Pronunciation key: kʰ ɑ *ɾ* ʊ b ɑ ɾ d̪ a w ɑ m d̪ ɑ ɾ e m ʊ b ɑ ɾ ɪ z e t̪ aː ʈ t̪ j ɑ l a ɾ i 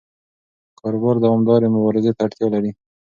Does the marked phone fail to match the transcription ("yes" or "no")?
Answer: no